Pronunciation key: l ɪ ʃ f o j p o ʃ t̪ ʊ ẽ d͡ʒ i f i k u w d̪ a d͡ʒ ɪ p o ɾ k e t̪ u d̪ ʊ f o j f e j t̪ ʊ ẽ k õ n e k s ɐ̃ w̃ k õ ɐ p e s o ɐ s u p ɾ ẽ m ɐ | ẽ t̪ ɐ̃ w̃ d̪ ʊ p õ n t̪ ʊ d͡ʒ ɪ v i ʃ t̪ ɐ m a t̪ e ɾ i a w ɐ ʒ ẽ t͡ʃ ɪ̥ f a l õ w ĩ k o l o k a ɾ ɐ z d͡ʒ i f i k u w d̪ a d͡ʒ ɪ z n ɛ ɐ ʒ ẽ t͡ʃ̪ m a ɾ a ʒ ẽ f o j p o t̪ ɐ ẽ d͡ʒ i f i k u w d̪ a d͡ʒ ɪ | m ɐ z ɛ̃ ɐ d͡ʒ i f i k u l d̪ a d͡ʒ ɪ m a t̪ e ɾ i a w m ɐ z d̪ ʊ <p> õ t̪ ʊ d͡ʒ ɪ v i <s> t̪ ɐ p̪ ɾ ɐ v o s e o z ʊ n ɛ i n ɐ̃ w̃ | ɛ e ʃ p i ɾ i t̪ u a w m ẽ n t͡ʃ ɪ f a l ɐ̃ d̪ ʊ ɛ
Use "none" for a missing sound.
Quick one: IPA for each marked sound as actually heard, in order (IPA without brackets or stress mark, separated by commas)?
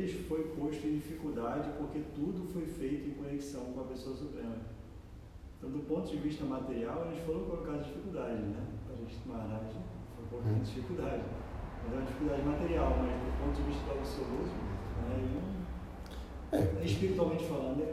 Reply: p, ʃ